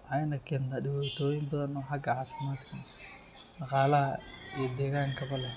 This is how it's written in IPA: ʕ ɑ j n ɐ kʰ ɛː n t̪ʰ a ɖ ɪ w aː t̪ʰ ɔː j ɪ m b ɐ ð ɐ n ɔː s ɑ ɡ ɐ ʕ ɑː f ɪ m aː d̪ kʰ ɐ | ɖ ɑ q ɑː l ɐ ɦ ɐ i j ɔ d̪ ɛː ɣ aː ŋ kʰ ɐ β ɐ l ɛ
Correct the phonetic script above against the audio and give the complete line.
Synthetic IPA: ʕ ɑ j n ɐ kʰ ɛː n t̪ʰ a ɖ ɪ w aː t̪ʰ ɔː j ɪ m b ɐ ð ɐ n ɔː ħ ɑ ɡ ɐ ʕ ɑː f ɪ m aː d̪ kʰ ɐ | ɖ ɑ q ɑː l ɐ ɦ ɐ i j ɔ d̪ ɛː ɣ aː ŋ kʰ ɐ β ɐ l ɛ